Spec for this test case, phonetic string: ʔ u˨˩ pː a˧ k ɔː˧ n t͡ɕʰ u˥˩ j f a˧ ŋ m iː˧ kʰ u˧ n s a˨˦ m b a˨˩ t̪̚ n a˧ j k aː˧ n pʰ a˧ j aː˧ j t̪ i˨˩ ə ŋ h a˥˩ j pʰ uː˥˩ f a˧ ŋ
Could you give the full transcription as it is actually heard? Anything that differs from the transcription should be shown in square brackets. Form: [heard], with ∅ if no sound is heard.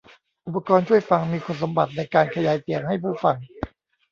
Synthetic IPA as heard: ʔ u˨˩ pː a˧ k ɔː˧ n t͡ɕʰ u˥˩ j f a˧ ŋ m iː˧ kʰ [o˧] n s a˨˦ m b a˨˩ t̪̚ n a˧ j k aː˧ n [kʰ] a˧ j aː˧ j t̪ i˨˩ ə ŋ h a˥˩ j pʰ uː˥˩ f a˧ ŋ